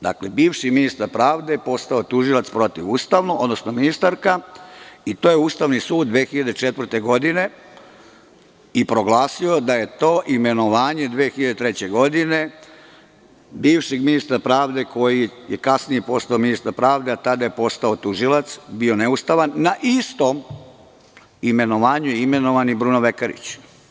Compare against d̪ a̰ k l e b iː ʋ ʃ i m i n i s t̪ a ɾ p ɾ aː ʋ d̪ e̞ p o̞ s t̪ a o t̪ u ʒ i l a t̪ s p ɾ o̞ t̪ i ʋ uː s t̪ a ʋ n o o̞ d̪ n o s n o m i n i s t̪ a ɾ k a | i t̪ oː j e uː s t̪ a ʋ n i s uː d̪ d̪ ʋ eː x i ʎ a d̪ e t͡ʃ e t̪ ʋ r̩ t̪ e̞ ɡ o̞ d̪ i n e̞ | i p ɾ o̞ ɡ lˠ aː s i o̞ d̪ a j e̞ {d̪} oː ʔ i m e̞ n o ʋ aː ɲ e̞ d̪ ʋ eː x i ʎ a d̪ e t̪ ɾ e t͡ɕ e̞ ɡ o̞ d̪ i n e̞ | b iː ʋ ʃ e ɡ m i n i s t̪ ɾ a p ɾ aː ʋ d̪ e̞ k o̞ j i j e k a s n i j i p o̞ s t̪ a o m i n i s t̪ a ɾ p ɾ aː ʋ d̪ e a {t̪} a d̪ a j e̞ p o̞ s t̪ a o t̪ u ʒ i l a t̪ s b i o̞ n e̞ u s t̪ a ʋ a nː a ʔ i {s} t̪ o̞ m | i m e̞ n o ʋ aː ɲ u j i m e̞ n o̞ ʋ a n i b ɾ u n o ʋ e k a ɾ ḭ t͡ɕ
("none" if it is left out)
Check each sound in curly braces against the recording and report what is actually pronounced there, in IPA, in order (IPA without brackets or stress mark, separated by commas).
t̪, t̪, s